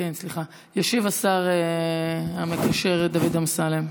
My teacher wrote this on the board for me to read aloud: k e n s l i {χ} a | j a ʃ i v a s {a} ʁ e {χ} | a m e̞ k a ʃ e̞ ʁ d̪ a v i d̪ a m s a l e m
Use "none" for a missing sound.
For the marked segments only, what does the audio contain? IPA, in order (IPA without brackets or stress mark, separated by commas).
χ, a, none